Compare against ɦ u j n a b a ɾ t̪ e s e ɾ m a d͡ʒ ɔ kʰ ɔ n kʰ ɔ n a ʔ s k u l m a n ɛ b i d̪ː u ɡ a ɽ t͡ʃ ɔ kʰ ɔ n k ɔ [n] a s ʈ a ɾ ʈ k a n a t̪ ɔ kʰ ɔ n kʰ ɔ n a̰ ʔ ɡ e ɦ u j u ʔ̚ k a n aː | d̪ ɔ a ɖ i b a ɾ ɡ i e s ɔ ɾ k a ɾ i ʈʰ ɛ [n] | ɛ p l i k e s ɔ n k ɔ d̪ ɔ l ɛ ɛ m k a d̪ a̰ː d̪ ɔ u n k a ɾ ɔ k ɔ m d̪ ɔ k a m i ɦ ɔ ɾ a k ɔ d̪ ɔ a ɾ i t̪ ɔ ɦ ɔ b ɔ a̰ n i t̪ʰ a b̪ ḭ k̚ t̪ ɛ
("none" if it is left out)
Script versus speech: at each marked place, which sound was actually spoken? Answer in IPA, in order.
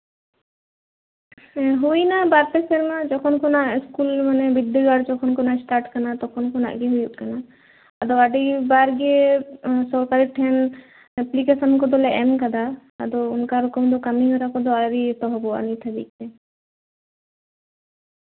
n, n

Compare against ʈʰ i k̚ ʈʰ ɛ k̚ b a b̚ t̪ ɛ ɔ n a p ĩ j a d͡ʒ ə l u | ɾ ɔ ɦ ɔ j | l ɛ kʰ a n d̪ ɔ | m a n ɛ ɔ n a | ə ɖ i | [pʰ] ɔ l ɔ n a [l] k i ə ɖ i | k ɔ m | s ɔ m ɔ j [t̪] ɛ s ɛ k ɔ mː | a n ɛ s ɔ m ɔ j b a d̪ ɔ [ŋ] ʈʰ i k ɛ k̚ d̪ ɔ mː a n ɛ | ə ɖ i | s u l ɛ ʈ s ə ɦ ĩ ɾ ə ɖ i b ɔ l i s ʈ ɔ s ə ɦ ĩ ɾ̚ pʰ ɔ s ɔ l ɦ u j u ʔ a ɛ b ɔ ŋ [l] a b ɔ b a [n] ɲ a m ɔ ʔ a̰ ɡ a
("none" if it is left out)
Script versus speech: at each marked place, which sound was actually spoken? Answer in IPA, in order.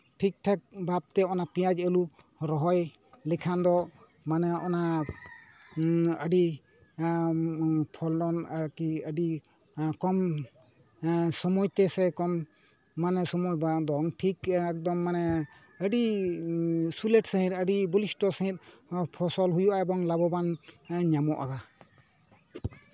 pʰ, ɾ, t̪, ŋ, l, n

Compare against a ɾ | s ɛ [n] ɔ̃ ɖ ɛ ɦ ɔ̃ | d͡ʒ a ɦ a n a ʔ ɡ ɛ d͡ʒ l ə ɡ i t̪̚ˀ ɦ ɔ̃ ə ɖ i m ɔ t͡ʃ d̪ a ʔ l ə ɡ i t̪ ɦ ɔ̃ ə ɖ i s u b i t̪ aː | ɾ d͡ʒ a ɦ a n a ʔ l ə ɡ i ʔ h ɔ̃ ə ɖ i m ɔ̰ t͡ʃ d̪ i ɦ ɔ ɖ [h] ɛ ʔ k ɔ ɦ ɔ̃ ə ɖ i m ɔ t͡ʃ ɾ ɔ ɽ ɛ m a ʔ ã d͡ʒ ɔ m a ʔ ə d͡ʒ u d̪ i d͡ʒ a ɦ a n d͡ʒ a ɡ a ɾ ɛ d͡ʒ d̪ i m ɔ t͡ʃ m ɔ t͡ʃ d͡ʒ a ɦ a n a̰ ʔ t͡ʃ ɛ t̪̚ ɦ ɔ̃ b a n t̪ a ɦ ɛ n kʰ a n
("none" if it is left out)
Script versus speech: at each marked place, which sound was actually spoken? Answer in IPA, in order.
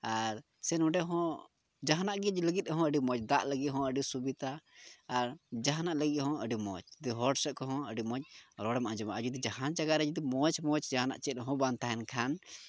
n, s

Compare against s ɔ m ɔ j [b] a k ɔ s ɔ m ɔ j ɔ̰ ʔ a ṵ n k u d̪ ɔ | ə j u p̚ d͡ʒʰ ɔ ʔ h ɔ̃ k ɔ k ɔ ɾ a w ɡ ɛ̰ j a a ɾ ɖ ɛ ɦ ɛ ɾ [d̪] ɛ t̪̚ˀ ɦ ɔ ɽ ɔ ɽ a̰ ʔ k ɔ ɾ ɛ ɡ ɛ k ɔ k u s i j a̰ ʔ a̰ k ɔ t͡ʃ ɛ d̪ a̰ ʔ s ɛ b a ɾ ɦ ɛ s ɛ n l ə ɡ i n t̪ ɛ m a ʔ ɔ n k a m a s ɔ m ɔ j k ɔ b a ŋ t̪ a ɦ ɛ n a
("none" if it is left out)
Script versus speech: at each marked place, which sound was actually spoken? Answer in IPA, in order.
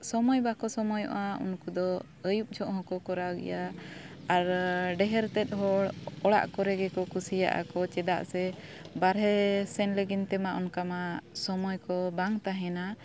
b, t̪

